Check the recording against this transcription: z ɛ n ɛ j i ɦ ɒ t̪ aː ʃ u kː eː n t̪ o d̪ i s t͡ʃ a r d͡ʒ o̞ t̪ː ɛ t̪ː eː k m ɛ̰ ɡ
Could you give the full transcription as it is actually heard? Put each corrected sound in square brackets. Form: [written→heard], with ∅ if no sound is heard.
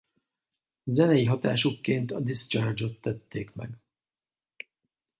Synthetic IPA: z ɛ n ɛ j i ɦ ɒ t̪ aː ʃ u kː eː n t̪ [o→ɒ] d̪ i s t͡ʃ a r d͡ʒ o̞ t̪ː ɛ t̪ː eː k m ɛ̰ ɡ